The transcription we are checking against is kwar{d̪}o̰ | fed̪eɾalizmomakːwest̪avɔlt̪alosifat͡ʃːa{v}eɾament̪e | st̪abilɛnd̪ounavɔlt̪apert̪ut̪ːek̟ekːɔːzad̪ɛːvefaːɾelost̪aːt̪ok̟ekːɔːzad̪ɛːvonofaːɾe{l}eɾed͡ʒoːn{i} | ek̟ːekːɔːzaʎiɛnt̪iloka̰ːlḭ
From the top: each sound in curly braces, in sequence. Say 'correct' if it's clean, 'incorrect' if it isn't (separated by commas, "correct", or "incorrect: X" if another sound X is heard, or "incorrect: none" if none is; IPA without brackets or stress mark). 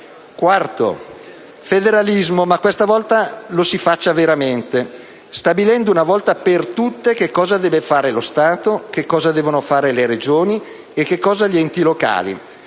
incorrect: t̪, correct, correct, correct